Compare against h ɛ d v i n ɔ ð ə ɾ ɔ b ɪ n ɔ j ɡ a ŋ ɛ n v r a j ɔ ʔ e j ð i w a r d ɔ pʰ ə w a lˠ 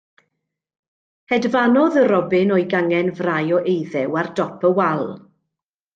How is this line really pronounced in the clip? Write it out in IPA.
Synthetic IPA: h ɛ d v a n ɔ ð ə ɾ ɔ b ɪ n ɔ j ɡ a ŋ ɛ n v r a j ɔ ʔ e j ð ɛ w a r d ɔ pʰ ə w a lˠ